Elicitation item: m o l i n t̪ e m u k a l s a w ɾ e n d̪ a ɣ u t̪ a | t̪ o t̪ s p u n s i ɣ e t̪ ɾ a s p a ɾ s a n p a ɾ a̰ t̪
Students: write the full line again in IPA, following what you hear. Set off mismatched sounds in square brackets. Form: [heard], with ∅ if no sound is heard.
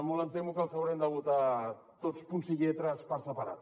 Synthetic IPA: m o l [a] n t̪ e m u k a l s a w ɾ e n d̪ a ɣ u t̪ a | t̪ o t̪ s p u n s i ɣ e t̪ ɾ a s p a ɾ s a [∅] p a ɾ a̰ t̪